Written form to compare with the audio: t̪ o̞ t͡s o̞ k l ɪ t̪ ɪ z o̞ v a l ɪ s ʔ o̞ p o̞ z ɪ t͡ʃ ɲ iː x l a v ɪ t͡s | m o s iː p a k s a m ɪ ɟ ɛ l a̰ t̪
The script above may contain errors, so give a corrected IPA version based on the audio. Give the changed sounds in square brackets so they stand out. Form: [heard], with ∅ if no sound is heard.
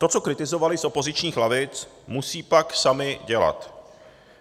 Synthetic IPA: t̪ o̞ t͡s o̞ k [ɾ] ɪ t̪ ɪ z o̞ v a l ɪ s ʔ o̞ p o̞ z ɪ t͡ʃ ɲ iː x l a v ɪ t͡s | m [u] s iː p a k s a m ɪ ɟ ɛ l a̰ t̪